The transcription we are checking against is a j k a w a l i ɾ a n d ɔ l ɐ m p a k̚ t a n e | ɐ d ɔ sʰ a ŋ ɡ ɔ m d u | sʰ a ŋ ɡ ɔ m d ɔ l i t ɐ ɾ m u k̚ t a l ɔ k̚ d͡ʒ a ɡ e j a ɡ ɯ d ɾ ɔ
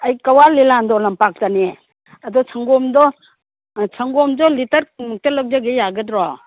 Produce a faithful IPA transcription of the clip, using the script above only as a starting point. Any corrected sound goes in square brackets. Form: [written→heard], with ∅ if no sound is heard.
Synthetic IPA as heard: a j k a w a l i [ɾ→l] a n d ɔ l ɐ m p a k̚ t a n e | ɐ d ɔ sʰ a ŋ ɡ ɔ m d [u→ɔ] | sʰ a ŋ ɡ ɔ m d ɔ l i t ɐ ɾ m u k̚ t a l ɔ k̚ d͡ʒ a ɡ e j a ɡ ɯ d ɾ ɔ